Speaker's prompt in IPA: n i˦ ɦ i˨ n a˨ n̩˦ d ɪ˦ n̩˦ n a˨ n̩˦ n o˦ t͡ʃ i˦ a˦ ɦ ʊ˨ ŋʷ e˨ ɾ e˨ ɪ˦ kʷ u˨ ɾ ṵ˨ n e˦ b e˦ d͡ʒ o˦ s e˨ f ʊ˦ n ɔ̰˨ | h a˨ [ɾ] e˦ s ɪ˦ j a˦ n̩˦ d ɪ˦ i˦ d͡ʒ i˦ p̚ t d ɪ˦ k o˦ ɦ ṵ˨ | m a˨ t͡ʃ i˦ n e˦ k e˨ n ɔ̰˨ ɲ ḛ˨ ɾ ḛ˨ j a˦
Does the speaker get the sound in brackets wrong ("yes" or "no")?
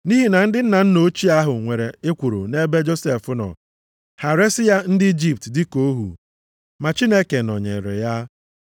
no